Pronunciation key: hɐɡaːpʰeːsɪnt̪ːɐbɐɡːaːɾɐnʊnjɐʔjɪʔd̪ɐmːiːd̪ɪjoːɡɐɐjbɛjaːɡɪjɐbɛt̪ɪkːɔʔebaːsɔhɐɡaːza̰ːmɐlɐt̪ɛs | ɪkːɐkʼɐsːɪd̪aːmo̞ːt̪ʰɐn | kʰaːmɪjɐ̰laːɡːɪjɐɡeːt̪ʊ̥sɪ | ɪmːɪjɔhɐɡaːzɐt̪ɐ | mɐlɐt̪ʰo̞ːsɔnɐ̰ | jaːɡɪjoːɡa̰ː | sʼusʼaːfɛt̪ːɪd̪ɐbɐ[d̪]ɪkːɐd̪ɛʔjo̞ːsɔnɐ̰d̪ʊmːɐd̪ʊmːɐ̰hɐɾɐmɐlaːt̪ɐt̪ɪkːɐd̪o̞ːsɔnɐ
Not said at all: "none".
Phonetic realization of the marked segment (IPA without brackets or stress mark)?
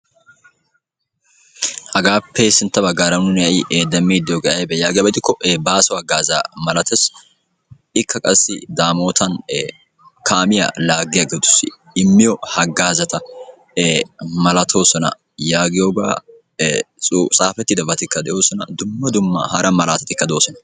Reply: t̪